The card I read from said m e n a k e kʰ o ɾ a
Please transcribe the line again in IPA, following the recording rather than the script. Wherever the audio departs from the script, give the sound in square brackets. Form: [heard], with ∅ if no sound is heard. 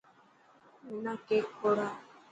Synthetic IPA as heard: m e n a k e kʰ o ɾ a